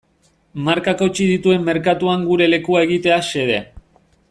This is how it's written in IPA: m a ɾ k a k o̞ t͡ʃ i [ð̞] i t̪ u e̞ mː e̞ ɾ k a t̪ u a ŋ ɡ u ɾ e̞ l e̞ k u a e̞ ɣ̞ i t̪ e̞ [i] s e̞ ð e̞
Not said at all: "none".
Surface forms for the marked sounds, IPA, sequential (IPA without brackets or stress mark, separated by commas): ð̞, a